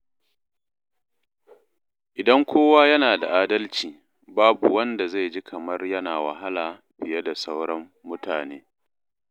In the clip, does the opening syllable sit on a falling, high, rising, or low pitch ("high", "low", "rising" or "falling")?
low